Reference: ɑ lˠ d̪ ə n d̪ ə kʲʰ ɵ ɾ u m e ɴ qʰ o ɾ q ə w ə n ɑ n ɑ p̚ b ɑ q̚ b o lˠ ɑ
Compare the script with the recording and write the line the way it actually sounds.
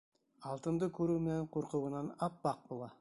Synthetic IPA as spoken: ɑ lˠ t̪ ə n d̪ ə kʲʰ ɵ ɾ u m e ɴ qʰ o ɾ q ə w ə n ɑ n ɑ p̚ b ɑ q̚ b o lˠ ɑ